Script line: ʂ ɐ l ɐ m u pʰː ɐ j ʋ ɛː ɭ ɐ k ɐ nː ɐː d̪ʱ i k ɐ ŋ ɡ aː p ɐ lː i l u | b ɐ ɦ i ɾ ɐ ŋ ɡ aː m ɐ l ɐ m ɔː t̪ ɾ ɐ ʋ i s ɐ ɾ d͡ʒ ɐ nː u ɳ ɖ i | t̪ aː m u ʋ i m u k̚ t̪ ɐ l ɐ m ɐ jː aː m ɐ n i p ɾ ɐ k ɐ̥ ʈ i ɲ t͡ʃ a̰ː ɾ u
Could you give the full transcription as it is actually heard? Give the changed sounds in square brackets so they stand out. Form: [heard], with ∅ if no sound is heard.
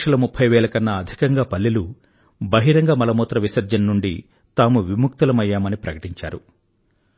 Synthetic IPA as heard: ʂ ɐ l ɐ m u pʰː ɐ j ʋ ɛː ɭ ɐ k ɐ nː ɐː d̪ʱ i k ɐ ŋ ɡ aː p ɐ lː i l u | b ɐ ɦ i ɾ ɐ ŋ ɡ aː m ɐ l ɐ m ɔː t̪ ɾ ɐ ʋ i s ɐ ɾ d͡ʒ ɐ nː u ɳ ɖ i | t̪ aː m u ʋ i m u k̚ t̪ ɐ l ɐ m ɐ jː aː m ɐ n i p ɾ ɐ k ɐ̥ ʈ i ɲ t͡ʃ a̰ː ɾ u